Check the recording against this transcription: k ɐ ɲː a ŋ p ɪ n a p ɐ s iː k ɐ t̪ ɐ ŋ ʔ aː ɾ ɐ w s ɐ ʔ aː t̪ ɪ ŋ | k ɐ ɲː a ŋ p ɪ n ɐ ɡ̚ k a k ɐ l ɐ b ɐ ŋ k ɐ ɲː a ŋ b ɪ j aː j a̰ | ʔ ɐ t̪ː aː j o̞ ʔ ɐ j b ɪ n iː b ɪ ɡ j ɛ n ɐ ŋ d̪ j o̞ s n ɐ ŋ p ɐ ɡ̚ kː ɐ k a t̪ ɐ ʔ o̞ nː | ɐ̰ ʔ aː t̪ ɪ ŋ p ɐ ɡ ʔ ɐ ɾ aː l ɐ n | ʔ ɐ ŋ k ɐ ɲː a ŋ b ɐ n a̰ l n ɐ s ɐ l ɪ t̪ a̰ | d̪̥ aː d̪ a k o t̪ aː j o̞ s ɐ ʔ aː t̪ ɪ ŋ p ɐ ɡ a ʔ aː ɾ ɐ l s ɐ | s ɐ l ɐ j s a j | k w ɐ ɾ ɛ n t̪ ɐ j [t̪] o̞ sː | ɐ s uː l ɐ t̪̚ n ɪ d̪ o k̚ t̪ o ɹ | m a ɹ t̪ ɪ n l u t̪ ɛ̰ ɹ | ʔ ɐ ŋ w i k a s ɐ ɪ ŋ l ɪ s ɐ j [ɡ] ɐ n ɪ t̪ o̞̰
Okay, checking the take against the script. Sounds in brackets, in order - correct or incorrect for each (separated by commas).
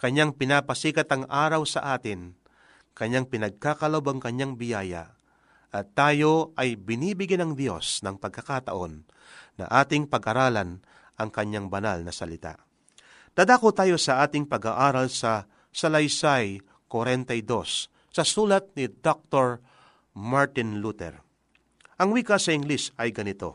incorrect, correct